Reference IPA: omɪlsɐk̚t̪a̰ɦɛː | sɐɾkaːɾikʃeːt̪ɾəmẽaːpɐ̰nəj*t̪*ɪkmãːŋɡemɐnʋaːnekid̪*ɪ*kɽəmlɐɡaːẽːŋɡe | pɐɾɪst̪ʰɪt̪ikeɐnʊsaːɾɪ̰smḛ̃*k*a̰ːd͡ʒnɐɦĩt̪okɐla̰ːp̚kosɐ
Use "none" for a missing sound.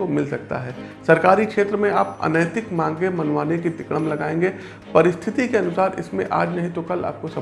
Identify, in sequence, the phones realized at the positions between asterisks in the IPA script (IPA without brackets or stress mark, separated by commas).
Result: t̪, ɪ, ʔ